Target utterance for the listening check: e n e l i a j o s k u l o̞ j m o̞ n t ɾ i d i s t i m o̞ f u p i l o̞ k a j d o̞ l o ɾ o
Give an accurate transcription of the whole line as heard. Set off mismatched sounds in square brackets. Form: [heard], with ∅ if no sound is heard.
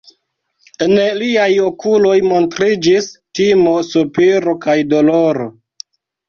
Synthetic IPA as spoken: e n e l i a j o [∅] k u l o̞ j m o̞ n t ɾ i [d͡ʒ] i s t i m o̞ [s] u p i [ɾ] o̞ k a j d o̞ l o ɾ o